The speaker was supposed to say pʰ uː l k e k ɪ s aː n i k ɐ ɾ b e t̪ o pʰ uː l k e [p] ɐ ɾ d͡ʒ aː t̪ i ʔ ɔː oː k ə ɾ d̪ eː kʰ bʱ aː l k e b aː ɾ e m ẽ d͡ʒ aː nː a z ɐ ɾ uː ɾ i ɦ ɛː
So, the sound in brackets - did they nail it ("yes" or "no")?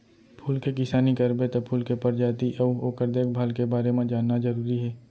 yes